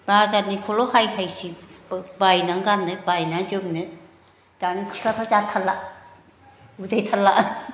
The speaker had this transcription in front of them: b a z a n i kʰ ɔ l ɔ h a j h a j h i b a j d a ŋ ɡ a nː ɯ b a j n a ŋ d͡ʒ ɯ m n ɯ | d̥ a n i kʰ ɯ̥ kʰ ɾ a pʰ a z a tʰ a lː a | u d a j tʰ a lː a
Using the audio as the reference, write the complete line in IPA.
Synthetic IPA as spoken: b a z a n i kʰ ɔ l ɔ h a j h a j s i b a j n a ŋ ɡ a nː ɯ b a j n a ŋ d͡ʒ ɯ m n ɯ | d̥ a n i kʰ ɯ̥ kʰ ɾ a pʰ a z a tʰ a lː a | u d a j tʰ a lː a